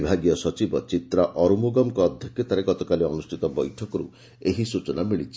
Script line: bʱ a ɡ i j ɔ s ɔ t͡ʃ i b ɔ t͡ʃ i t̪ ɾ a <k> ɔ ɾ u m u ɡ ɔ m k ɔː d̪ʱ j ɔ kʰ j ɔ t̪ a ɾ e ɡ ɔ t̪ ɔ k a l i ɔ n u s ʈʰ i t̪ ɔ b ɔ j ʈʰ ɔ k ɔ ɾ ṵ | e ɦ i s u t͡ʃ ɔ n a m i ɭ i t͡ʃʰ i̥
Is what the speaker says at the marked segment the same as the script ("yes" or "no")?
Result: no